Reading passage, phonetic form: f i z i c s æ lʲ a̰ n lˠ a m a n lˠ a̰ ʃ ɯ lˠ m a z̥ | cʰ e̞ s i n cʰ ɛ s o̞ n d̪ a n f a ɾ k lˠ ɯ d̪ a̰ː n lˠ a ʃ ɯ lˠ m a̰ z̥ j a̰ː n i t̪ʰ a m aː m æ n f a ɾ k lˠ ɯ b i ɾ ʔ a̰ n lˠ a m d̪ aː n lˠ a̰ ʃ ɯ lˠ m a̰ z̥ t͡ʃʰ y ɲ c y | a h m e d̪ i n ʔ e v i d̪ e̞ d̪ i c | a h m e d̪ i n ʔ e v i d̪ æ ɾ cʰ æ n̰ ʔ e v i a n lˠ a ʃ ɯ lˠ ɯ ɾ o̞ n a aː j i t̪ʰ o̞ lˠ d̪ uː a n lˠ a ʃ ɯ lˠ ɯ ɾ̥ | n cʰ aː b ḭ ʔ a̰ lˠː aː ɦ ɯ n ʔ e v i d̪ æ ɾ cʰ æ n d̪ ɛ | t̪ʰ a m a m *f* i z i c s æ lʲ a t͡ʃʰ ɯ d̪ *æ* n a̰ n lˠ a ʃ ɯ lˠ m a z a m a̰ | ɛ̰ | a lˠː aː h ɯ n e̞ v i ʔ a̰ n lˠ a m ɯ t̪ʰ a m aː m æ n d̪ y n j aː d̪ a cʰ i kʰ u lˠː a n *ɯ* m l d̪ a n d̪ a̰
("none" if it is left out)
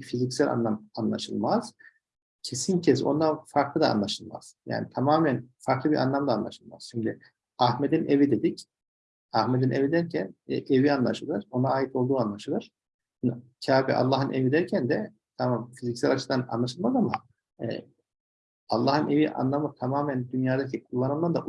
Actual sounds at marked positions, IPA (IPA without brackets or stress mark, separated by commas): f, a, ɯ